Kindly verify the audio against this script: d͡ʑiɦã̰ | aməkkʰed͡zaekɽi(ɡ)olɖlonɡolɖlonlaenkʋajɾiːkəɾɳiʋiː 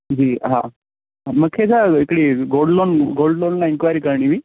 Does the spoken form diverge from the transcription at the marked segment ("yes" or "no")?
no